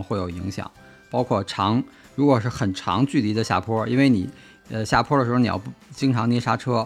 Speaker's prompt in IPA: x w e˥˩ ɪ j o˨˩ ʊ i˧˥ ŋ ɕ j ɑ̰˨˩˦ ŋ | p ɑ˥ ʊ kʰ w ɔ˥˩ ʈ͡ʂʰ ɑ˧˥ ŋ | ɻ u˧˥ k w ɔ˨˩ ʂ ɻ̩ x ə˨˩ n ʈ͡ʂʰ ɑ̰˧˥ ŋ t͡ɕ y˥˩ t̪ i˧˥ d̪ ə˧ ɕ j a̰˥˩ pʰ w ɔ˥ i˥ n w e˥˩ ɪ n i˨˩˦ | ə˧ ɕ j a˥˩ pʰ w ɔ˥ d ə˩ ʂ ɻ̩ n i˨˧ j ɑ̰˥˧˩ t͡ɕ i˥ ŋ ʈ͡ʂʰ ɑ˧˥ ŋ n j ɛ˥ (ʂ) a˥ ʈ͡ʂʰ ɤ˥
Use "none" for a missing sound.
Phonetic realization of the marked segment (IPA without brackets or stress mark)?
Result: ʂ